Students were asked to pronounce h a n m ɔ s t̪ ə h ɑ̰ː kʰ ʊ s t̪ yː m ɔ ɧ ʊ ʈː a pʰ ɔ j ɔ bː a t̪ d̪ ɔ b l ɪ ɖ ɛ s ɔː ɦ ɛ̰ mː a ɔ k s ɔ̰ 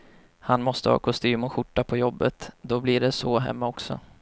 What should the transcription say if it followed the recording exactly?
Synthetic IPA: h a n m ɔ s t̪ ə h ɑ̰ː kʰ ʊ s t̪ yː m ɔ ɧ ʊ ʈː a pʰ ɔ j ɔ bː ə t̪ d̪ ɔ b l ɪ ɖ ɛ s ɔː ɦ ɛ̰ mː a ɔ k s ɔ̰